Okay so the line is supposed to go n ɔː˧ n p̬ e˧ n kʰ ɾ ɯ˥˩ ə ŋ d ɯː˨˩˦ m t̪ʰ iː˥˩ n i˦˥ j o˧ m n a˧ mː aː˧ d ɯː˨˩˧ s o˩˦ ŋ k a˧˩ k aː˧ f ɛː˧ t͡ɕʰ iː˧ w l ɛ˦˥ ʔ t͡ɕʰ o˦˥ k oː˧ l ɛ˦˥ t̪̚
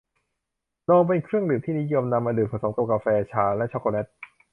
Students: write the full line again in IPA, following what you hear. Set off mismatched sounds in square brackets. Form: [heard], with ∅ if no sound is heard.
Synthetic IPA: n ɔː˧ [ŋ] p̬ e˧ n kʰ ɾ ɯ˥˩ ə ŋ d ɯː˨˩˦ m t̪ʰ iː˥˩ n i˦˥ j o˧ m n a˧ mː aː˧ d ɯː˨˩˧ s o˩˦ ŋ k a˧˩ k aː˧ f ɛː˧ t͡ɕʰ [aː˧] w l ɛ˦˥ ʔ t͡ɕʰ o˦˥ k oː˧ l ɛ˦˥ t̪̚

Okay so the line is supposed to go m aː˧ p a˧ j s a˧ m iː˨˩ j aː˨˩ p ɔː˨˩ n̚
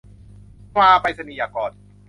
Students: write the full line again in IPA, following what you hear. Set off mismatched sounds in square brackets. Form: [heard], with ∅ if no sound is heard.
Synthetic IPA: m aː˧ p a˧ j s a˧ [n] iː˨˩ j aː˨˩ [k] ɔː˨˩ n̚

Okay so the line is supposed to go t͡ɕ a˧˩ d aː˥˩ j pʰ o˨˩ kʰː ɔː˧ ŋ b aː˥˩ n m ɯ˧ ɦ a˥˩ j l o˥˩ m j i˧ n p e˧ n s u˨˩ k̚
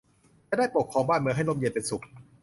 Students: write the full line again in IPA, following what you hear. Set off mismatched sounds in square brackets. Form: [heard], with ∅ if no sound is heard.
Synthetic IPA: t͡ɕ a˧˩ d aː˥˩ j [p] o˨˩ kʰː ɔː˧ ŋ b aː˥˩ n m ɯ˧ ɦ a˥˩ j l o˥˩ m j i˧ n p e˧ n s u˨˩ k̚

